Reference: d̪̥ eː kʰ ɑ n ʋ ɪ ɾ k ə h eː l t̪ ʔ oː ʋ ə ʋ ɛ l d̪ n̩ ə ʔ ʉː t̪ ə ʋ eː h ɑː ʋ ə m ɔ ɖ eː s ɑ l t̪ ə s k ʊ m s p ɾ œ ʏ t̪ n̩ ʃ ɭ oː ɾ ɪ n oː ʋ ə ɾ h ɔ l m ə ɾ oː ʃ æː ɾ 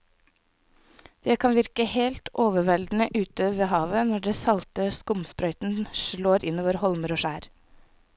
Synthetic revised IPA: d̪̥ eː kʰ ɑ n ʋ ɪ ɾ k ə h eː l t̪ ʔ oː ʋ ə ʋ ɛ l d̪ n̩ ə ʔ ʉː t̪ ə ʋ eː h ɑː ʋ ə n ɔ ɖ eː s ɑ l t̪ ə s k ʊ m s p ɾ œ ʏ t̪ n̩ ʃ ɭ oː ɾ ɪ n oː ʋ ə ɾ h ɔ l m ə ɾ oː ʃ æː ɾ